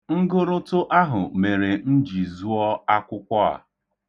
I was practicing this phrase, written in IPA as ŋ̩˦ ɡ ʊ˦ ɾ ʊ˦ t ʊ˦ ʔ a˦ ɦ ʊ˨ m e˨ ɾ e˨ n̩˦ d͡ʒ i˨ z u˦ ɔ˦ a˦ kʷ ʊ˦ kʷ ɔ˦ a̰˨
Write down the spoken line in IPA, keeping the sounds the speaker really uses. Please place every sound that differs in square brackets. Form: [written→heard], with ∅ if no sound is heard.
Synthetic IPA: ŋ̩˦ ɡ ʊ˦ ɾ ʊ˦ t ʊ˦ ʔ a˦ ɦ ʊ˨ m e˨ ɾ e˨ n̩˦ d͡ʒ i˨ z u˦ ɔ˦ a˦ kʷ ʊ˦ kʷ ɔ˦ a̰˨